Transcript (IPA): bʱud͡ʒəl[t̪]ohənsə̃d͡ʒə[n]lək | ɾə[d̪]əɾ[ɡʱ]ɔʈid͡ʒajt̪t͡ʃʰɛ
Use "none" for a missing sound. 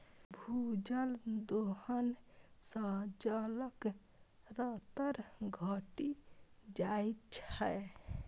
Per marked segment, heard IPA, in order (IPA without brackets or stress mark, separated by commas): d̪, none, t̪, ɡʱ